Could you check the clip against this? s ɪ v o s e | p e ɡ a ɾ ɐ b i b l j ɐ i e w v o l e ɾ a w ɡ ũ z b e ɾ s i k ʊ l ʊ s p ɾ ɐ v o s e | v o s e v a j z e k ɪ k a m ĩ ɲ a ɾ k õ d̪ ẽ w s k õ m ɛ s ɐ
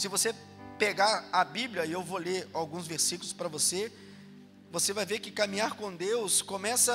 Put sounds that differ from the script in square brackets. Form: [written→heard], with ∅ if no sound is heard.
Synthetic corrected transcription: s ɪ v o s e | p e ɡ a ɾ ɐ b i b l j ɐ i e w v o l e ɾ a w ɡ ũ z [b→v] e ɾ s i k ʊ l ʊ s p ɾ ɐ v o s e | v o s e v a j [z→v] e k ɪ k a m ĩ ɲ a ɾ k õ d̪ [ẽ→e] w s k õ m ɛ s ɐ